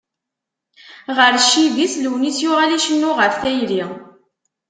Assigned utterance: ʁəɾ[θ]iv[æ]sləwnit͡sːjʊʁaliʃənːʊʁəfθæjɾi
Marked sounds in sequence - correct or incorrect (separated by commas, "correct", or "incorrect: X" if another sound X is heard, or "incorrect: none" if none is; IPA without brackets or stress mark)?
incorrect: ʃ, incorrect: i